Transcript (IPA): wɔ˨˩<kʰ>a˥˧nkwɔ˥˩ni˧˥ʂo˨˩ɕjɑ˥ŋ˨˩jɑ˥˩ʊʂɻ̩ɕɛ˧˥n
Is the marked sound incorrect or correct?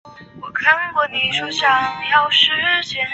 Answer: correct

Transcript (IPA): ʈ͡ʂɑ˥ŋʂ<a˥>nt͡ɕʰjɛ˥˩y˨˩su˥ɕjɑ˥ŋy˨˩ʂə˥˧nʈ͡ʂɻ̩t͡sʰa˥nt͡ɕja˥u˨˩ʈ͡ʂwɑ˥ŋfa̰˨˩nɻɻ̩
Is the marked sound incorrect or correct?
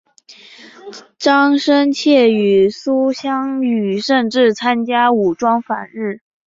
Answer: incorrect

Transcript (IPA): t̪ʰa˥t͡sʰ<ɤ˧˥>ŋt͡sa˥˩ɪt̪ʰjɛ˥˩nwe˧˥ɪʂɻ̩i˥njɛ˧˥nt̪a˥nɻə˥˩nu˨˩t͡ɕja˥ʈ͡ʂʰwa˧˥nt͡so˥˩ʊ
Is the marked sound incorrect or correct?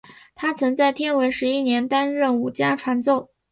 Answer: correct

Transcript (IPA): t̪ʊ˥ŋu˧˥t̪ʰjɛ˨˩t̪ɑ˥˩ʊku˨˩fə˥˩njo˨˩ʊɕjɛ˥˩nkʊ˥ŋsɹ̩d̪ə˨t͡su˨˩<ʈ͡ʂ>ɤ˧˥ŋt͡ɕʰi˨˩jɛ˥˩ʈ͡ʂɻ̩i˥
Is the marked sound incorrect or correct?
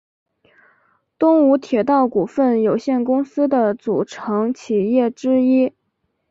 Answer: incorrect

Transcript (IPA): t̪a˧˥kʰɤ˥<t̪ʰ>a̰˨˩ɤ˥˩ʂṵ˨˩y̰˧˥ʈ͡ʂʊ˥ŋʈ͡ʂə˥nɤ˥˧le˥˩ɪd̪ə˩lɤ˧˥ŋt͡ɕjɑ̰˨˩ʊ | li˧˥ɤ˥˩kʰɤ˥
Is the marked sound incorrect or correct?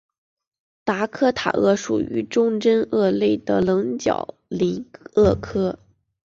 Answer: correct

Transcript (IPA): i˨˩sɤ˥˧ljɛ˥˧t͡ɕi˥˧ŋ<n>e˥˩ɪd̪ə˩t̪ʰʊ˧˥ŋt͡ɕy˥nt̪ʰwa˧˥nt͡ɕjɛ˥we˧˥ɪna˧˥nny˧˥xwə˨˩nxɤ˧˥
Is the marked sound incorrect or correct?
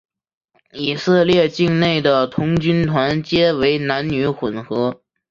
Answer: correct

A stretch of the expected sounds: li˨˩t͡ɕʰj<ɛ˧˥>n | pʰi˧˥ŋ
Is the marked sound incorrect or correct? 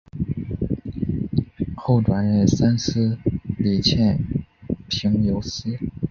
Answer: incorrect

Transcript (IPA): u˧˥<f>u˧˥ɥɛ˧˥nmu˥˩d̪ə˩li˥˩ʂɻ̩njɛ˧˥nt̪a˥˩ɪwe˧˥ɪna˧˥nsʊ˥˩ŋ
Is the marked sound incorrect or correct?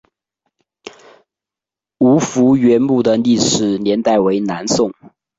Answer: correct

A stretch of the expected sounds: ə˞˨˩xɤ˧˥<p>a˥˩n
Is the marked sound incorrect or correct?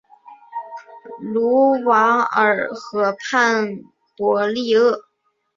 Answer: incorrect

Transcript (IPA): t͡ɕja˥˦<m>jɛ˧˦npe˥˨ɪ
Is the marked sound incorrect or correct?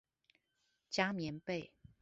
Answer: correct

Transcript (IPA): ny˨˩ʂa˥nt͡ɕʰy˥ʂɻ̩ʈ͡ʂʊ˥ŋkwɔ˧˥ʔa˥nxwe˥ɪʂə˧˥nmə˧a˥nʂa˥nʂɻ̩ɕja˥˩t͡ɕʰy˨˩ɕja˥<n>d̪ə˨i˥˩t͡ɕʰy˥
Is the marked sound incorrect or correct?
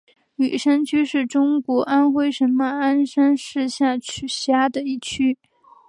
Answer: incorrect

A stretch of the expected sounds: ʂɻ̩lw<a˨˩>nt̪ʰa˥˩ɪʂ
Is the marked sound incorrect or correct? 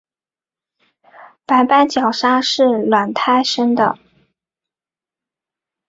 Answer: correct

